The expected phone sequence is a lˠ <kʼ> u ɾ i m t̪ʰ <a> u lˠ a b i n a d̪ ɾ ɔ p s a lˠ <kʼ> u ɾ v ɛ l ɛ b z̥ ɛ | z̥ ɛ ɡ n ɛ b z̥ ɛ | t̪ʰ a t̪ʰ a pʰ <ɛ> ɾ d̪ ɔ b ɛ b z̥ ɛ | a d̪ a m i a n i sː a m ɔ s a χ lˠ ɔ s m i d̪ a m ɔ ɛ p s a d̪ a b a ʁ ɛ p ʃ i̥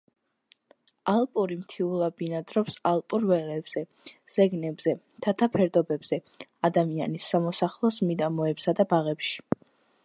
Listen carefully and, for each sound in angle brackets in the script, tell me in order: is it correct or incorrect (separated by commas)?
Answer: incorrect, incorrect, incorrect, correct